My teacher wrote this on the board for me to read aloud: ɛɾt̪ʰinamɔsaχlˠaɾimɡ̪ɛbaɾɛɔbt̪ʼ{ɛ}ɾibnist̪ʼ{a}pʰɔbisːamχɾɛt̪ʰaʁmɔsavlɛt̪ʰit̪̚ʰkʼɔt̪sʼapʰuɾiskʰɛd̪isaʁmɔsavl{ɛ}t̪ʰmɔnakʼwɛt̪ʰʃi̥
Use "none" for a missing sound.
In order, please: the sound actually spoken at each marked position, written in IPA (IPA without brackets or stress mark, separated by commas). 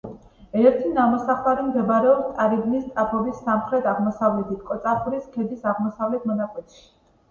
a, a, ɛ